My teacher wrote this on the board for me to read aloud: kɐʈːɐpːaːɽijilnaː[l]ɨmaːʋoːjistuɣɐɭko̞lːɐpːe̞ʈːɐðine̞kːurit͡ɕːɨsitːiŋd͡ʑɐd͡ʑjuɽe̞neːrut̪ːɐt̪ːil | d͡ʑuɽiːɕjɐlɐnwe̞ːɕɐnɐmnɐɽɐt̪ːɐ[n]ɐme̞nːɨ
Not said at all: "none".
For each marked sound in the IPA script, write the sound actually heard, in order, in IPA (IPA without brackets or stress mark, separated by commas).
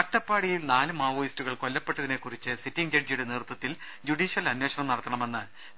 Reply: l, ɳ